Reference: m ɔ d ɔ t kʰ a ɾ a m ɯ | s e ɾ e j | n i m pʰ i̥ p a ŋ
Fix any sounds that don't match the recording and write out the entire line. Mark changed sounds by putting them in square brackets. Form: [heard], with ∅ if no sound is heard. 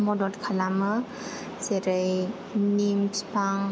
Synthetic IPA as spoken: m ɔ d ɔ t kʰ a [l] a m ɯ | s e ɾ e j | n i m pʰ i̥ p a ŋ